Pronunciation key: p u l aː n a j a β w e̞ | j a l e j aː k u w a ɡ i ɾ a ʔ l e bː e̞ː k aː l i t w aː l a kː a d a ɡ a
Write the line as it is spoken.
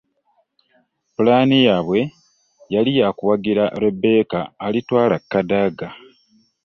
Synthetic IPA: p u l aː n i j a β w e̞ | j a l i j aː k u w a ɡ i ɾ a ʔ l e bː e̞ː k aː l i t w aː l a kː a d a ɡ a